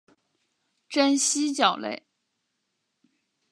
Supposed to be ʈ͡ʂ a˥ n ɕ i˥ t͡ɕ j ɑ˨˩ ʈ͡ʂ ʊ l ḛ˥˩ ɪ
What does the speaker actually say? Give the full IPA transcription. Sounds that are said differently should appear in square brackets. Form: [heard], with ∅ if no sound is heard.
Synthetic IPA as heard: ʈ͡ʂ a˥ n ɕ i˥ t͡ɕ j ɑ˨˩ [∅] ʊ l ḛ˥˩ ɪ